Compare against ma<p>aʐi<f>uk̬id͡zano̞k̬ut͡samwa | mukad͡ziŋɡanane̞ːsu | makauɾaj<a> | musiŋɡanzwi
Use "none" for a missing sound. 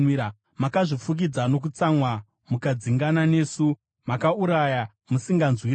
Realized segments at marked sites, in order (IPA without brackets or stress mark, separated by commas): k, f, a